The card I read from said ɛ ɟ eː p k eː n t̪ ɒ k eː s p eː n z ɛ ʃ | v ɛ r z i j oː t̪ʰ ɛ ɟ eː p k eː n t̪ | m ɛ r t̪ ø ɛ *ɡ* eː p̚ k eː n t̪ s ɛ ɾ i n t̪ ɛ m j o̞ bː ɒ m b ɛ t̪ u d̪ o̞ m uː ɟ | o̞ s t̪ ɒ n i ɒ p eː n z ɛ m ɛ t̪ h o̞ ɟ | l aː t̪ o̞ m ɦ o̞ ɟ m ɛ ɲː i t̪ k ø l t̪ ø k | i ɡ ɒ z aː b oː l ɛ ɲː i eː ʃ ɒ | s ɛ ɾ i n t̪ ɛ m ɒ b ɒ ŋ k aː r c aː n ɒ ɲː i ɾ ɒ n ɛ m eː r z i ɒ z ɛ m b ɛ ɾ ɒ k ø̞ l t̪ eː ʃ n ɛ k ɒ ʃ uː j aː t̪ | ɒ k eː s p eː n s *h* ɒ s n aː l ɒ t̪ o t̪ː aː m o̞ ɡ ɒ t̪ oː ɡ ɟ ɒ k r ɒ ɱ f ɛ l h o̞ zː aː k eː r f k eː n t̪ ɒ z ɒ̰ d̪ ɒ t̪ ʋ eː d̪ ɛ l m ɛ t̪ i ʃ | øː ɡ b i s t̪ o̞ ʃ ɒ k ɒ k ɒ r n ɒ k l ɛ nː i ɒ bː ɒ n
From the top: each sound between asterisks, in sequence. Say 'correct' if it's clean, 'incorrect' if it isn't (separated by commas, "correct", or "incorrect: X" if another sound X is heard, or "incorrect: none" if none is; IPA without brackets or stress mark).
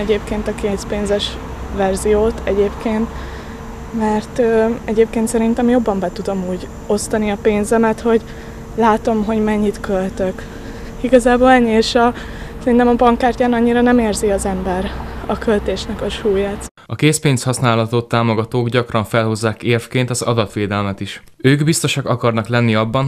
incorrect: ɟ, correct